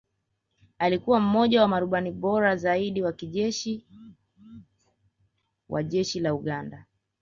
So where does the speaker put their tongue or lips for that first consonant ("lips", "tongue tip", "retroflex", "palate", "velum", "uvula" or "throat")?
tongue tip